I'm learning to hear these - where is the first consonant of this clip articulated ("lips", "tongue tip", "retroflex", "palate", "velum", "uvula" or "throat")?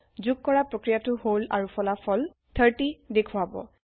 tongue tip